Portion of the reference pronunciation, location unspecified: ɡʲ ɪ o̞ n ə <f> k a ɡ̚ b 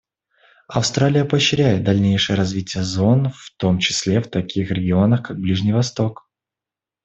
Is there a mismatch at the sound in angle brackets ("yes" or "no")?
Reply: yes